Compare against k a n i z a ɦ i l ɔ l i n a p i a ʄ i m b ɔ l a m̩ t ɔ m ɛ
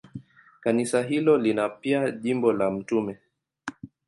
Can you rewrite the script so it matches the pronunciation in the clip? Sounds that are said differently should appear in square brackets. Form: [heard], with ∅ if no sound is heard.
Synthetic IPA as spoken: k a n i [s] a ɦ i l ɔ l i n a p i a ʄ i m b ɔ l a m̩ t [u] m ɛ